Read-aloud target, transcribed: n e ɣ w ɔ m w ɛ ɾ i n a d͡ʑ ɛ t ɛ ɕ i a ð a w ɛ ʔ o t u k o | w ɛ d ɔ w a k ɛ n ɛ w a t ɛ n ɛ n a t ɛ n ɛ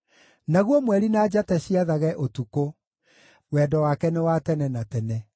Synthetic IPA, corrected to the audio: n a ɣ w ɔ m w ɛ ɾ i n a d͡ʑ a t ɛ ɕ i a ð a ɣ ɛ ʔ o t u k o | w ɛ d ɔ w a k ɛ n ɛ w a t ɛ n ɛ n a t ɛ n ɛ